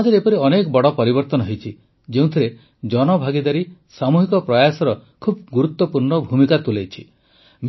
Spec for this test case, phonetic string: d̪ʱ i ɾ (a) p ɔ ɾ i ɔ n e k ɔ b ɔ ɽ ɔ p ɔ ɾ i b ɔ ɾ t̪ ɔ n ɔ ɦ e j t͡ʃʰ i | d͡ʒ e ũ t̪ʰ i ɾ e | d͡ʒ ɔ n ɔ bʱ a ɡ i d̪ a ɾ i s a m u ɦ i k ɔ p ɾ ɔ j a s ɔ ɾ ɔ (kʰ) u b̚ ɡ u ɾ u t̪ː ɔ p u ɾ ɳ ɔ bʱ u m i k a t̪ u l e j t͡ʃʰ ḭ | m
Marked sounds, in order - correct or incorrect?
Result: incorrect: e, correct

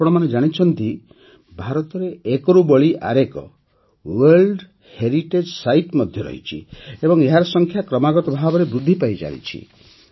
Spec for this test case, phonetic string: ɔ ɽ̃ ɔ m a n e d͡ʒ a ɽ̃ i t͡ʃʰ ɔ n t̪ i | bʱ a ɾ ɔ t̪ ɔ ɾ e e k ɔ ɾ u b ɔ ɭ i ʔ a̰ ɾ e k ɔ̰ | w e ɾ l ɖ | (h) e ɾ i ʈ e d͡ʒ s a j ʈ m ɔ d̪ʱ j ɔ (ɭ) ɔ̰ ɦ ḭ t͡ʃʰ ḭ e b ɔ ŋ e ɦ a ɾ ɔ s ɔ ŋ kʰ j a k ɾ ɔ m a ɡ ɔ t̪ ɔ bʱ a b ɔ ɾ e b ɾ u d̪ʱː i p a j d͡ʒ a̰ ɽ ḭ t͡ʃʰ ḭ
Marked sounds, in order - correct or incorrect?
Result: correct, incorrect: ɾ

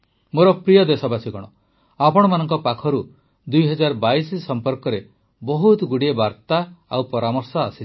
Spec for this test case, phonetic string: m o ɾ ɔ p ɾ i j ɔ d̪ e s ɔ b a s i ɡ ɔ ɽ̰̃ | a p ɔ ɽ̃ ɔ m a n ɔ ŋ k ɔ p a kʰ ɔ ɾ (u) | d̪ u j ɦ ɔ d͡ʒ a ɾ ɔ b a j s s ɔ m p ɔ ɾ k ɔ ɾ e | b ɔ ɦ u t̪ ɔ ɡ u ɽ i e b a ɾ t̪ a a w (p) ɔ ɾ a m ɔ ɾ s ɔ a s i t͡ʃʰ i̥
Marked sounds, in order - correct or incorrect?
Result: correct, correct

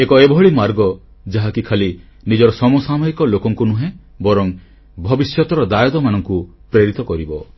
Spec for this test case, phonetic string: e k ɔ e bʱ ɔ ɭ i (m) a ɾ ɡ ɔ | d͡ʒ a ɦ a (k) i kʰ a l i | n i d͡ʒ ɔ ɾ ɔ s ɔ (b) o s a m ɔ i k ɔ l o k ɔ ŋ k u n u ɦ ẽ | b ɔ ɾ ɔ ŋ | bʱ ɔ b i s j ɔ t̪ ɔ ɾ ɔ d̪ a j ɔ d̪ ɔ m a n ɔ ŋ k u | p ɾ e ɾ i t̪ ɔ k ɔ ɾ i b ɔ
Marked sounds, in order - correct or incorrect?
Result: correct, correct, incorrect: m

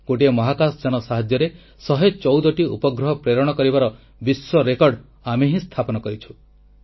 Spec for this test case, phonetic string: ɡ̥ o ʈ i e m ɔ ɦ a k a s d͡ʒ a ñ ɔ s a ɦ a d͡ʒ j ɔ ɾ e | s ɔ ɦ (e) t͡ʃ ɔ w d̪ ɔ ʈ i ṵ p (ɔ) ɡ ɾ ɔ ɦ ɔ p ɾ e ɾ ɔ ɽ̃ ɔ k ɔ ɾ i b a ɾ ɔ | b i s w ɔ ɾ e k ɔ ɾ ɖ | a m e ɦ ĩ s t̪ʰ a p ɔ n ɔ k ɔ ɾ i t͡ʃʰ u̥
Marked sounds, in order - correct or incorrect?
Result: correct, correct

